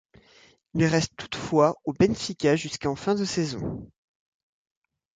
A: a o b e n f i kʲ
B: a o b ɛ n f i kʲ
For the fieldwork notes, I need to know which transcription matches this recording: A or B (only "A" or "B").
B